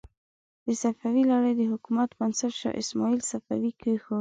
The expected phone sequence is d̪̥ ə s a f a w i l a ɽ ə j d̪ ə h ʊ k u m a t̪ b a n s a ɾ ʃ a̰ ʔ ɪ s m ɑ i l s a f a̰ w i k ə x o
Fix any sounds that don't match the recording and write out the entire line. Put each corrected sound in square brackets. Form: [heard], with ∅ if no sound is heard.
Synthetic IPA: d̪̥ ə s a f a w i l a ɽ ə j d̪ ə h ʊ k u m a t̪ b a n s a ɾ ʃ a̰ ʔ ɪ s m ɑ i l s a f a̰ w i k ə x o